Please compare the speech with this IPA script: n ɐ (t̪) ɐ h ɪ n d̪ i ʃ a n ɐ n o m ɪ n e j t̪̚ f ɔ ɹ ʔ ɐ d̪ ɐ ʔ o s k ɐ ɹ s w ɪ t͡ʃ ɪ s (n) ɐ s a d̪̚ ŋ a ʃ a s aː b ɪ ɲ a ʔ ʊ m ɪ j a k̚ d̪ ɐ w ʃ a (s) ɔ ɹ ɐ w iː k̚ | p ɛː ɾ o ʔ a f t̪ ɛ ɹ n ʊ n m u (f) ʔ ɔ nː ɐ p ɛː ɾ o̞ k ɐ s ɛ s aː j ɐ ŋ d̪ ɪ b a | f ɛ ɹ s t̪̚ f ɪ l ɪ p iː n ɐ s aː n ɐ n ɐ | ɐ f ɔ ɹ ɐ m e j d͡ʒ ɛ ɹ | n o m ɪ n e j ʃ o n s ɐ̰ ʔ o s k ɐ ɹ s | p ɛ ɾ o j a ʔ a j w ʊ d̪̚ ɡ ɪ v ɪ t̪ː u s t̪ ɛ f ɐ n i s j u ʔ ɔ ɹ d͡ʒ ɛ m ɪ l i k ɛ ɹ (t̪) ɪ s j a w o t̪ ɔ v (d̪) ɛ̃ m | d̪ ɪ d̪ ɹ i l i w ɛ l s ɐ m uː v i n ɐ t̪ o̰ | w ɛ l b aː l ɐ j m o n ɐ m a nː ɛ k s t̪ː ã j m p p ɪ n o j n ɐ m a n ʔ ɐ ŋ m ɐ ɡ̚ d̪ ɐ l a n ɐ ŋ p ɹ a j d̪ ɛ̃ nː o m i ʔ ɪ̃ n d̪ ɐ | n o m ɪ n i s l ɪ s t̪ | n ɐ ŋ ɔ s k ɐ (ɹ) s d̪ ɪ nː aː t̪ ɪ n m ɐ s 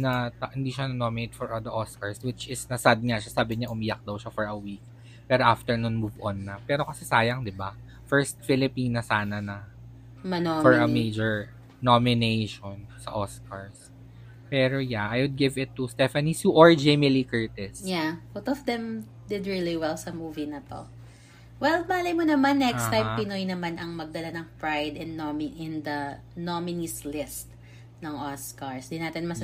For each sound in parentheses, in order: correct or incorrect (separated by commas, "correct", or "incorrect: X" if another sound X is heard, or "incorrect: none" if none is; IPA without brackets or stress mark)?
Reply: correct, correct, incorrect: f, incorrect: v, correct, correct, correct